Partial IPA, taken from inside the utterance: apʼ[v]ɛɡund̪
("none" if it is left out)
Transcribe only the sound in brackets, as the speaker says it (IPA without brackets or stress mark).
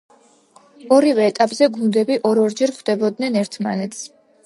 z